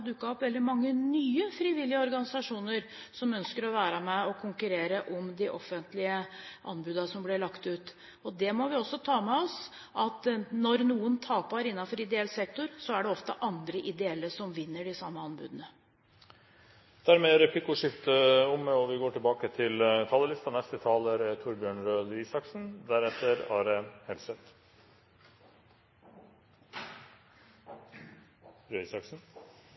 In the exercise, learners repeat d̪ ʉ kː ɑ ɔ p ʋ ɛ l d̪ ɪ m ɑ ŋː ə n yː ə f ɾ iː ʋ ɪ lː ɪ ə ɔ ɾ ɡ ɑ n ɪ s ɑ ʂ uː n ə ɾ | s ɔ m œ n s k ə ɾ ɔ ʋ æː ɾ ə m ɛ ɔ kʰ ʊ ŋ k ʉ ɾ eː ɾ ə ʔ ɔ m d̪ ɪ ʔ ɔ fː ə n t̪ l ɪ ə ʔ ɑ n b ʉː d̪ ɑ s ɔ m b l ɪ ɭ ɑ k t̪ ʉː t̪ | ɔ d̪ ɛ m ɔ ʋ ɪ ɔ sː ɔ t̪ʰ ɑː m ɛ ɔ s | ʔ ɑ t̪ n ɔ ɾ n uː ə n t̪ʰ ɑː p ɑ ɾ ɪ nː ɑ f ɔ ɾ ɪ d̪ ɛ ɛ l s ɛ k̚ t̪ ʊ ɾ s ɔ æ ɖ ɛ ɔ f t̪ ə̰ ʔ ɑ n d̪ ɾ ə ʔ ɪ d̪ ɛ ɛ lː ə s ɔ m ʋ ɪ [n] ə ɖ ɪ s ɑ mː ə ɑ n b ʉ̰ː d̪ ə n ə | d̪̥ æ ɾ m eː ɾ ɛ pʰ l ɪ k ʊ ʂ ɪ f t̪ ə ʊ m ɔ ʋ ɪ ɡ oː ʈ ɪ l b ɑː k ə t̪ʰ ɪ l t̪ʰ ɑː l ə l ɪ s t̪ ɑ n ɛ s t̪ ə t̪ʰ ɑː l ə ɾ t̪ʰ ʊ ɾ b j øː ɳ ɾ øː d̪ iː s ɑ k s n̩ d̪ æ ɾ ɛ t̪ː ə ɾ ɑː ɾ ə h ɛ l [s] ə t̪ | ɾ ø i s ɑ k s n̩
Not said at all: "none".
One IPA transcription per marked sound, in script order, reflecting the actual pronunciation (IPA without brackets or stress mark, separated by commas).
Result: nː, s